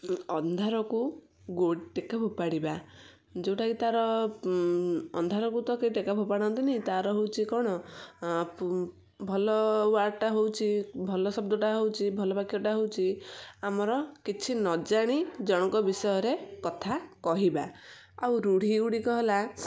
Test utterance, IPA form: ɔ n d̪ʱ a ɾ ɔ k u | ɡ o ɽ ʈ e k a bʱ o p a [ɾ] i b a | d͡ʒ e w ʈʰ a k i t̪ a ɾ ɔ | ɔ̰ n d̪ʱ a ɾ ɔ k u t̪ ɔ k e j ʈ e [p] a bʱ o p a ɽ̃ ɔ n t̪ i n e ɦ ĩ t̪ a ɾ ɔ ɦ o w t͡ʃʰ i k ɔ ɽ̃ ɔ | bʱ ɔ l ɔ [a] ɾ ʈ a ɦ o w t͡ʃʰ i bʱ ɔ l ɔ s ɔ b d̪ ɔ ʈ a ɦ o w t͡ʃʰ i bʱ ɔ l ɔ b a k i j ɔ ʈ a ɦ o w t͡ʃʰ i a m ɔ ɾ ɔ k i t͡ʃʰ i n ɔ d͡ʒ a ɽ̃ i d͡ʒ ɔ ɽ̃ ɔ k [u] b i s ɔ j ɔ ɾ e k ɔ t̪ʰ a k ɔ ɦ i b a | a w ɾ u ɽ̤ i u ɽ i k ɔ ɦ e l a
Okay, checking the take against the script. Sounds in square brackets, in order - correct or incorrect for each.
incorrect: ɽ, incorrect: k, correct, incorrect: ɔ

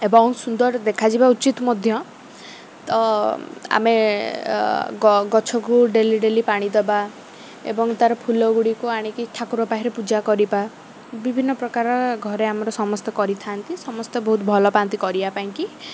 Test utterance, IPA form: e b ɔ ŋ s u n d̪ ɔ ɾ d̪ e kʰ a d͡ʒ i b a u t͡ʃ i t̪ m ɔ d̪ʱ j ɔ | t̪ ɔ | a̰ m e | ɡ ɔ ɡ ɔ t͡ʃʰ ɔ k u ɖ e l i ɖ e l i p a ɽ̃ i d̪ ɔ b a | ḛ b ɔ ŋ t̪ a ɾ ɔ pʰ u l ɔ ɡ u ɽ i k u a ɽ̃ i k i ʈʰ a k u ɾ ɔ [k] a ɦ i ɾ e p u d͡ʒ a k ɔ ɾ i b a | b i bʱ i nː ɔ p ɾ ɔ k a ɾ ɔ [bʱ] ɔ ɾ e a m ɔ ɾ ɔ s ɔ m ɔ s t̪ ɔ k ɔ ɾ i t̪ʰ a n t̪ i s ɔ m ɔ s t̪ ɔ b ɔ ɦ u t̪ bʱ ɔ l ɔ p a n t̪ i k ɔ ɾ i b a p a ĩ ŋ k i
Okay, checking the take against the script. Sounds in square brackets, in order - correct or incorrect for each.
incorrect: p, incorrect: ɡʱ

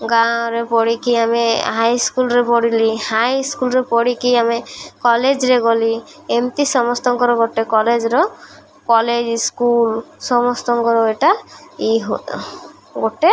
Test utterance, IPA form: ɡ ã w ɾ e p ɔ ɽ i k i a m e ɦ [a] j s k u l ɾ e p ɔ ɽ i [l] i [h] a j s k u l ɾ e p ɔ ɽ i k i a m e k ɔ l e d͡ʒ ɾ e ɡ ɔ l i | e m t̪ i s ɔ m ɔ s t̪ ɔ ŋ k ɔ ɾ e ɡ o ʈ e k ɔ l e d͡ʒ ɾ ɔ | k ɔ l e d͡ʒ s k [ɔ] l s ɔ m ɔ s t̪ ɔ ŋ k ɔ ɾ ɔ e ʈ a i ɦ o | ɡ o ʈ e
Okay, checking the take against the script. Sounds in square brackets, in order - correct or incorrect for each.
correct, correct, correct, incorrect: u

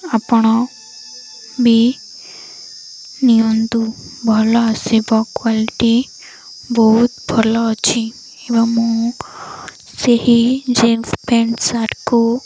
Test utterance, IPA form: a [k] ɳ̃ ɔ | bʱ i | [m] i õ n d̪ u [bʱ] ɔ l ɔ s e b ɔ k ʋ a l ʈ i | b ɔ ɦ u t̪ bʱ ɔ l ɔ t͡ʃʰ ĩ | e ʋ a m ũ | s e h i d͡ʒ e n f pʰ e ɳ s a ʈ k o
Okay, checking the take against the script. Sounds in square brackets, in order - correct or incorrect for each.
incorrect: p, incorrect: n, correct

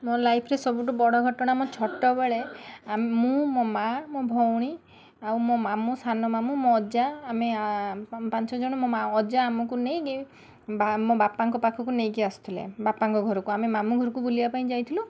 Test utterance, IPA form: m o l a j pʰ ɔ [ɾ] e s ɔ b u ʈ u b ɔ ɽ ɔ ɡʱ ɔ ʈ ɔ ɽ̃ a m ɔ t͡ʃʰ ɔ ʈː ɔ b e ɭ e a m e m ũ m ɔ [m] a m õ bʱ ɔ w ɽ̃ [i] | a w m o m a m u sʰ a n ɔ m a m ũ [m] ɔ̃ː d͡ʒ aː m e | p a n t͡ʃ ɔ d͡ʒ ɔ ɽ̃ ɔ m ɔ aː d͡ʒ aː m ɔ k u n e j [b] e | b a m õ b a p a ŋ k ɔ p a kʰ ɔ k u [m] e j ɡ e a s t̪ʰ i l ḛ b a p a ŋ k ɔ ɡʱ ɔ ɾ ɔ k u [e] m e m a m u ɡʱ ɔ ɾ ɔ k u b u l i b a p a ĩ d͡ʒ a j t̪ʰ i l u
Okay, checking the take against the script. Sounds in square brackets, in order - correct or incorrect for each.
correct, correct, correct, correct, incorrect: ɡ, incorrect: n, incorrect: a

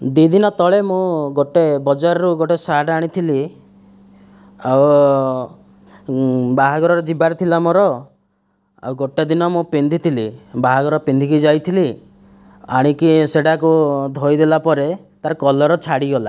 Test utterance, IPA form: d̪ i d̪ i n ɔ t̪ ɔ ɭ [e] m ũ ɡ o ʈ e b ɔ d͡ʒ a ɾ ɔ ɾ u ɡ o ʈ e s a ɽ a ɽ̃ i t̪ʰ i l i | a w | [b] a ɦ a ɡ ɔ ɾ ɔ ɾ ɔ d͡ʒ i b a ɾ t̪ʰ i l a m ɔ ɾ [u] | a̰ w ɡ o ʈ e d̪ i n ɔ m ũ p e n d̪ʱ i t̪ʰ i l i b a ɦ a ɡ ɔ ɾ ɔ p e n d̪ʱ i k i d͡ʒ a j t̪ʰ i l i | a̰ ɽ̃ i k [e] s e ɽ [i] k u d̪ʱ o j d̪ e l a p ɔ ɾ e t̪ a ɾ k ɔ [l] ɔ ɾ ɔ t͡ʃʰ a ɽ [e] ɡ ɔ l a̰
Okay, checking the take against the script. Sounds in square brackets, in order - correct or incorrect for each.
correct, correct, incorrect: ɔ, incorrect: i, incorrect: a, correct, incorrect: i

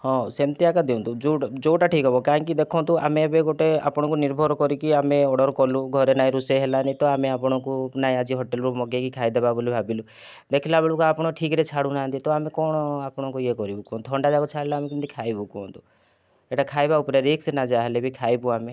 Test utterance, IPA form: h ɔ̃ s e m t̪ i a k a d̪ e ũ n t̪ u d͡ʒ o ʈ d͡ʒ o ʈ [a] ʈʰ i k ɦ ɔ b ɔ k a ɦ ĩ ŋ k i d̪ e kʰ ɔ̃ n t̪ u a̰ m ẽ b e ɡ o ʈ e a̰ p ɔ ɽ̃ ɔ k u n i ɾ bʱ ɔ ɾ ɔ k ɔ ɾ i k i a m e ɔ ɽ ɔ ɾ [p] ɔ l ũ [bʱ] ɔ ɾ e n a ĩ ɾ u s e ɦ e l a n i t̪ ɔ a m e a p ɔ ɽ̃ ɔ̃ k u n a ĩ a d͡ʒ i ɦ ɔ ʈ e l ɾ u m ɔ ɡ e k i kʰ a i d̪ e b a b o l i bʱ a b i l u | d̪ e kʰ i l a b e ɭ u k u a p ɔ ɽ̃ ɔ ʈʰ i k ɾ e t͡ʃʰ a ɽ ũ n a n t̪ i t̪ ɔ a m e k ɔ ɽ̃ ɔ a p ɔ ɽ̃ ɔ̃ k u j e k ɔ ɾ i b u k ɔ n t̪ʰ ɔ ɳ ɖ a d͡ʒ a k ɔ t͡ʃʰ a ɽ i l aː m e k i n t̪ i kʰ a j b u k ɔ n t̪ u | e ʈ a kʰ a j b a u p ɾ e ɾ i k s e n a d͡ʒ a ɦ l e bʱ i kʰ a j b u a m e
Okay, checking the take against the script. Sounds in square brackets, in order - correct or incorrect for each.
correct, incorrect: k, incorrect: ɡʱ

